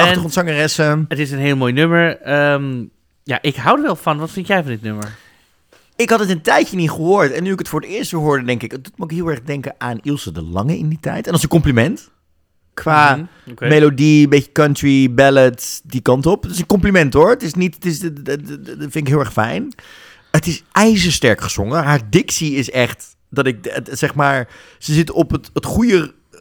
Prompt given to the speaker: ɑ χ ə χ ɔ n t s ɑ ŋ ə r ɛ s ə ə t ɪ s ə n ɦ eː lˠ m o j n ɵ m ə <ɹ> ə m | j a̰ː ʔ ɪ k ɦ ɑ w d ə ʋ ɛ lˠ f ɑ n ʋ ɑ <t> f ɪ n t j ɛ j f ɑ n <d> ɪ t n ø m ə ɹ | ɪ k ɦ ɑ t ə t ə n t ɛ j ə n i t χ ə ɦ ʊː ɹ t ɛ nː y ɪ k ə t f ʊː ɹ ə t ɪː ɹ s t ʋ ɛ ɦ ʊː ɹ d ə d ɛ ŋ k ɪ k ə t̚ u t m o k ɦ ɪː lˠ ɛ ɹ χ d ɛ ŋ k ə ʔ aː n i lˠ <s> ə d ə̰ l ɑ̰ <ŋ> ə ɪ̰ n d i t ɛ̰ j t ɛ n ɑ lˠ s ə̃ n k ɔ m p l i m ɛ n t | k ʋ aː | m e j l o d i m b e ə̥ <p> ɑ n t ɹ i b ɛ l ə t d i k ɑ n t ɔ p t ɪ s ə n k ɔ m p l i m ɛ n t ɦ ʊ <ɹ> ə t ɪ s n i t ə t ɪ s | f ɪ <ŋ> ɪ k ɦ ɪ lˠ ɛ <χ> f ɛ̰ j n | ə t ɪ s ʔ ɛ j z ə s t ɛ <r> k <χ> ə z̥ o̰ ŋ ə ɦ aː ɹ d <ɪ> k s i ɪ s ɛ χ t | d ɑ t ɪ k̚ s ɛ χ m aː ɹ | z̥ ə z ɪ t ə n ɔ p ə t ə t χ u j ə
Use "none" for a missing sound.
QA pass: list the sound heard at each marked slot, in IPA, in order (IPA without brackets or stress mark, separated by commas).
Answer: ɹ, t, d, s, ŋ, k, ɹ, n, χ, ɹ, χ, ɪ